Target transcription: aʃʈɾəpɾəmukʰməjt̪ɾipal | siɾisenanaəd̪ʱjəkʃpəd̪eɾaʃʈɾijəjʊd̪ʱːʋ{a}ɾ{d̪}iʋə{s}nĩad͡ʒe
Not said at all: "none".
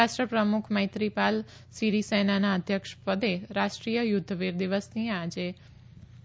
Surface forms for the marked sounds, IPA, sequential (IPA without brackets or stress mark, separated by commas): i, d̪, s